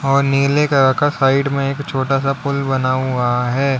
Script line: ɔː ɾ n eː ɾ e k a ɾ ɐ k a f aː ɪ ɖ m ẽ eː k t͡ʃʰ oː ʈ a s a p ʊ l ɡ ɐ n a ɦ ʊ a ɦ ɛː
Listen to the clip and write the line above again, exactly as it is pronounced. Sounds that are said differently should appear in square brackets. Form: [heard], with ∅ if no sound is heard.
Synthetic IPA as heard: ɔː ɾ n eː [l] e k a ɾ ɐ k a [s] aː ɪ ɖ m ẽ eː k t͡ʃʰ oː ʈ a s a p ʊ l [b] ɐ n a ɦ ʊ a ɦ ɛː